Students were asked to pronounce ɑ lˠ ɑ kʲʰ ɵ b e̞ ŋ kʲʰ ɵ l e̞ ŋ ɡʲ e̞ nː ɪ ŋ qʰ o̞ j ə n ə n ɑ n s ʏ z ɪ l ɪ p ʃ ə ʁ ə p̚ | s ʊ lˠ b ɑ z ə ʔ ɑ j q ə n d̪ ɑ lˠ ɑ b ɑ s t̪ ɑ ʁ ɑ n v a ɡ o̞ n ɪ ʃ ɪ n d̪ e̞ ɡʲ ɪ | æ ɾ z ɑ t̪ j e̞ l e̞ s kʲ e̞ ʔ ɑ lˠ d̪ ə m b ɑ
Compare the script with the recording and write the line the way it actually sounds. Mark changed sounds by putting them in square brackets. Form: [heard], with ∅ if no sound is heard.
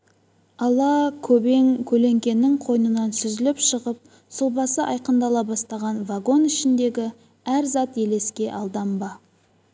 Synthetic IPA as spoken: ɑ lˠ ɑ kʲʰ ɵ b e̞ ŋ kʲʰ ɵ l e̞ ŋ [kʲ] e̞ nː ɪ ŋ qʰ o̞ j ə n ə n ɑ n s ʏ z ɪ l ɪ p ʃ ə ʁ ə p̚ | s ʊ lˠ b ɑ [s] ə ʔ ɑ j q ə n d̪ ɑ lˠ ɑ b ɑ s t̪ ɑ ʁ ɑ n v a ɡ o̞ n ɪ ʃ ɪ n d̪ e̞ ɡʲ ɪ | æ ɾ z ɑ t̪ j e̞ l e̞ s kʲ e̞ ʔ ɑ lˠ d̪ [ɑ] m b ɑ

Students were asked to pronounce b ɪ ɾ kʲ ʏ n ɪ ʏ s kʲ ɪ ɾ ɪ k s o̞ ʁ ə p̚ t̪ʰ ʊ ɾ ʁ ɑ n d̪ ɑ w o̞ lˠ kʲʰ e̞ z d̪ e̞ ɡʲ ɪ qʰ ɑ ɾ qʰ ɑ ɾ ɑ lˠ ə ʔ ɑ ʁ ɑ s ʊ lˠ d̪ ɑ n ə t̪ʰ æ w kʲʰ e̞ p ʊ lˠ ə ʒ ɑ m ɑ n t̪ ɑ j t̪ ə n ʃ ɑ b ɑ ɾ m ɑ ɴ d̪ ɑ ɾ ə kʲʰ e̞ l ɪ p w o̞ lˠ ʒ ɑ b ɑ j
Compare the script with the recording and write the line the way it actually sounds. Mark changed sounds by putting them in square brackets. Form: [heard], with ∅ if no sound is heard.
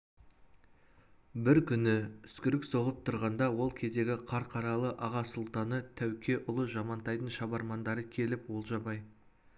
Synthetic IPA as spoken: b ɪ ɾ kʲ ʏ n ɪ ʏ s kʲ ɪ ɾ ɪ k s o̞ ʁ ə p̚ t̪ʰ ʊ ɾ ʁ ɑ n d̪ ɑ w o̞ lˠ kʲʰ e̞ z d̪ e̞ ɡʲ ɪ qʰ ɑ ɾ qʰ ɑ ɾ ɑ lˠ ə ʔ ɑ ʁ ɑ s ʊ lˠ [t̪] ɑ n ə t̪ʰ æ w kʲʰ e̞ [ʔ] ʊ lˠ ə ʒ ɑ m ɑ n t̪ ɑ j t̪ ə n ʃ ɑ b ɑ ɾ m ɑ [n] d̪ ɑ ɾ ə kʲʰ e̞ l ɪ p w o̞ lˠ ʒ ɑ b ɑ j

